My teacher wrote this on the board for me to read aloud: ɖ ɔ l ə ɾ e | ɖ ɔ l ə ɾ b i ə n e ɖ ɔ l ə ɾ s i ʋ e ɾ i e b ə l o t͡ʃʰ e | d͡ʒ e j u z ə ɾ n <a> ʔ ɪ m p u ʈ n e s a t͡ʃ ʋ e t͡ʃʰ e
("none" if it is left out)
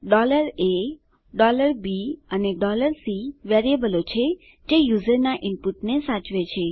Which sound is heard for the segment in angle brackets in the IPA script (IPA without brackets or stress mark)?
a